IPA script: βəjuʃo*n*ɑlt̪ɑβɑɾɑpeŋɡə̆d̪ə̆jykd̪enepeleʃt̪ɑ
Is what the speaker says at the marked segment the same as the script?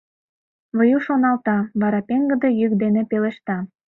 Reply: yes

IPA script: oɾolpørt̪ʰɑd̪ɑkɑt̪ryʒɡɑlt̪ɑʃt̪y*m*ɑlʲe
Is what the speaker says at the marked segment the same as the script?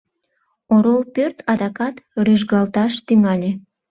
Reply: no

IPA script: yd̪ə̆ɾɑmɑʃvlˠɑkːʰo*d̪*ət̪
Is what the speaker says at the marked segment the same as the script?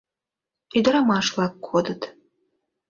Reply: yes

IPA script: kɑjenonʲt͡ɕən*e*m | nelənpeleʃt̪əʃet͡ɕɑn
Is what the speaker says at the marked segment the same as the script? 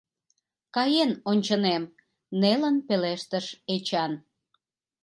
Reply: yes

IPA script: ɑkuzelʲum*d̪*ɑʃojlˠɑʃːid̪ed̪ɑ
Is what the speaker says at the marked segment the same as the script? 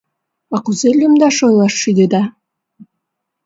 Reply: yes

